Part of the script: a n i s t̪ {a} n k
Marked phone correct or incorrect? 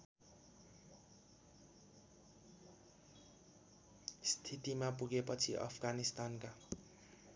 correct